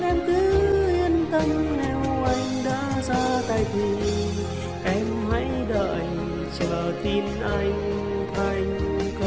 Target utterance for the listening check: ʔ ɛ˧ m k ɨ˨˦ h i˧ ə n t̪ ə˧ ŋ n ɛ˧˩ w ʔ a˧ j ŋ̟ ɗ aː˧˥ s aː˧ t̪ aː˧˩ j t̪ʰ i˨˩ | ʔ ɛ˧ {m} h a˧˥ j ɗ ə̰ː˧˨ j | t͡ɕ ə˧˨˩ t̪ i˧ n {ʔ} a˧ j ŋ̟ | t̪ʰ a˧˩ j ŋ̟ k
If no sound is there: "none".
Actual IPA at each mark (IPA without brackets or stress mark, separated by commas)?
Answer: m, ʔ